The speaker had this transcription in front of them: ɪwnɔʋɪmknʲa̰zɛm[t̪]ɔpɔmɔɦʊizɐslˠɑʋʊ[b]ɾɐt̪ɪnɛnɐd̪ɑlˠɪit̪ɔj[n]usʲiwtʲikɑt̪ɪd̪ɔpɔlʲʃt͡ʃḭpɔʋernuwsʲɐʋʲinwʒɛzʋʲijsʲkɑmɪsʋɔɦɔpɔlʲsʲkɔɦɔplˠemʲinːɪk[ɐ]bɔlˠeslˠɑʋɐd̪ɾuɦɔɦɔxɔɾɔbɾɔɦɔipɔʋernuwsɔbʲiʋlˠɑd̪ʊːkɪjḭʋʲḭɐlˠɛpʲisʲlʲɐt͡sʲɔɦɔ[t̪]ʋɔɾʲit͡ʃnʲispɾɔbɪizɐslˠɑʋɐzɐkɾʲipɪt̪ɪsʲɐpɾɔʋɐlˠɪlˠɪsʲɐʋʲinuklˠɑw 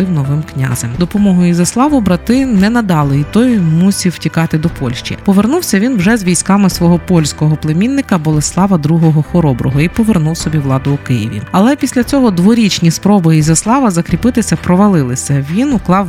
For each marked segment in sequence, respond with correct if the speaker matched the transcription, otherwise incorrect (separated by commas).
incorrect, correct, incorrect, correct, incorrect